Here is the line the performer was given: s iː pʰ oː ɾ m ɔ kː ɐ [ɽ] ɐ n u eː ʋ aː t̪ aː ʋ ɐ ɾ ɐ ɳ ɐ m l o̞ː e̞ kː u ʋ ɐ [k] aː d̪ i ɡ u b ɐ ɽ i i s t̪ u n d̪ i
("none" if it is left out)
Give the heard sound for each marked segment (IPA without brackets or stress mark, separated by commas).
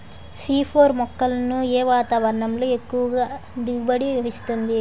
l, ɡ